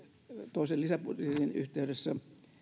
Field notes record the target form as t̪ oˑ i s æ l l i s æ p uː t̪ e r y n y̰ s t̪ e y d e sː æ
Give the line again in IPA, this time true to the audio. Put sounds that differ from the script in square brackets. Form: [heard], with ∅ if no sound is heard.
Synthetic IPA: t̪ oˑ i s [e] l l i s æ p [u] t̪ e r [i] n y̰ [h] t̪ e y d e sː æ

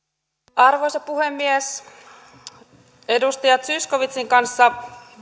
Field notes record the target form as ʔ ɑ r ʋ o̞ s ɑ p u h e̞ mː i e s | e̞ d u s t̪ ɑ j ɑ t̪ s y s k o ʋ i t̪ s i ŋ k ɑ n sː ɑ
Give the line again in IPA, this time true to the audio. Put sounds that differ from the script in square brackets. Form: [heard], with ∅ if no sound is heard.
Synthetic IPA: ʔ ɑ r ʋ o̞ s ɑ p u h e̞ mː i e s | e̞ d u s t̪ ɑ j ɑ t̪ s y s k o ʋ i t̪ s i ŋ k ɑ n sː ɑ

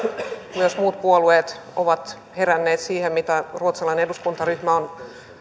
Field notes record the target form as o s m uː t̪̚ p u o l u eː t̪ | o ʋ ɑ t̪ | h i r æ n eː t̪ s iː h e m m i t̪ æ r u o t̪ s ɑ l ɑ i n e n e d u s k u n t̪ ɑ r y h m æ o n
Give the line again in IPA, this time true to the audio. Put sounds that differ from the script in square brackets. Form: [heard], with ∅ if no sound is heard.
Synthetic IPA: o s m uː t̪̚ p u o l u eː t̪ | o ʋ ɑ t̪ | h [e] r æ [nː] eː t̪ s iː h e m m i t̪ æ r u o t̪ s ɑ l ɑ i n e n e d u s k u n t̪ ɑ r y h m æ o n

